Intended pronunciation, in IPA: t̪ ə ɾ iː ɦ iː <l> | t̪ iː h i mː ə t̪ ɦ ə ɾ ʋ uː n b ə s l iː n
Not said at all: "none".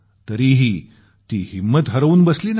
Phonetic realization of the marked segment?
none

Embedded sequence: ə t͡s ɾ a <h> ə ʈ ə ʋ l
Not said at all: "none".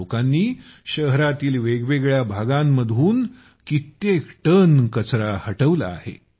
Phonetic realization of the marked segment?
h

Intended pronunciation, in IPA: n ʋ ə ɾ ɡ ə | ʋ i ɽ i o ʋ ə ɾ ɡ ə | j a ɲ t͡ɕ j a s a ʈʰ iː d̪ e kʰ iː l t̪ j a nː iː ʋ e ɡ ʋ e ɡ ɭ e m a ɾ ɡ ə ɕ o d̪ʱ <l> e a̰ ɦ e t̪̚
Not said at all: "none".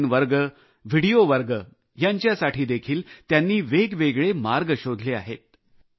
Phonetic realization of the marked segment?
l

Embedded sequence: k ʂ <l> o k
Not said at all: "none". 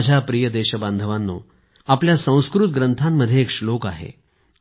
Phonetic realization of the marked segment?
l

